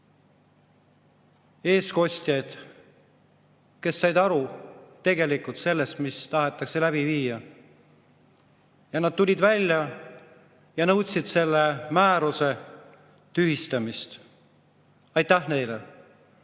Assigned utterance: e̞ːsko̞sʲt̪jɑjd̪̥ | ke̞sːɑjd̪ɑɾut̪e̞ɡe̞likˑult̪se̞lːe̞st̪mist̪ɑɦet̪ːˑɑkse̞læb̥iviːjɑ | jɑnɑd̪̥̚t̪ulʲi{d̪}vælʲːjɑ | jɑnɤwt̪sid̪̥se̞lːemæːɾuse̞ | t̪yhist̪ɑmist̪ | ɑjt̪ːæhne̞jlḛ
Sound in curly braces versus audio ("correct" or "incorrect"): correct